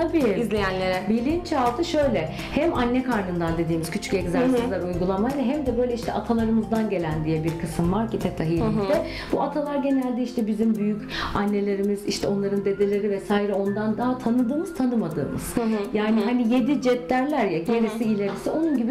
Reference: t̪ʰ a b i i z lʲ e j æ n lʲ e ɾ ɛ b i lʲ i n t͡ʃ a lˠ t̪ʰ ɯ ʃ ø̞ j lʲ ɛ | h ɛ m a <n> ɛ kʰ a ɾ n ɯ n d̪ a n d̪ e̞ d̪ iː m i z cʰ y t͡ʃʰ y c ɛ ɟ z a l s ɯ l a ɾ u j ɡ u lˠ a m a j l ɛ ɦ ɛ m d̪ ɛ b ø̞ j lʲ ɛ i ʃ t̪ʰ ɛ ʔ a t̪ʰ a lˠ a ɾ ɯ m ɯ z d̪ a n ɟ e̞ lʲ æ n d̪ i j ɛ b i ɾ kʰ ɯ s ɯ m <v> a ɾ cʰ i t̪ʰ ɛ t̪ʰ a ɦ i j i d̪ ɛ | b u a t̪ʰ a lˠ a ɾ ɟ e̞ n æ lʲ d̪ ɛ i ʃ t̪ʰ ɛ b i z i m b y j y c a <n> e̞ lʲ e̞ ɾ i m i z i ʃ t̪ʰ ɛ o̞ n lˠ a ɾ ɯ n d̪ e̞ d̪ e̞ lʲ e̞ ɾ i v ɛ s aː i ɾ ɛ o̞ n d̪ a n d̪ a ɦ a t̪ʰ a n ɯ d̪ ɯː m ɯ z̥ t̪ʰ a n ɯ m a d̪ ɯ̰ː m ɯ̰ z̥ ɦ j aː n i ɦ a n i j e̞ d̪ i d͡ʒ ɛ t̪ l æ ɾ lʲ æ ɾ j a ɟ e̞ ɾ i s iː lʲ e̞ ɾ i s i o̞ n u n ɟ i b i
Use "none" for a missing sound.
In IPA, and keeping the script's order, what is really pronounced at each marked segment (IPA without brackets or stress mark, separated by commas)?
nː, v, nː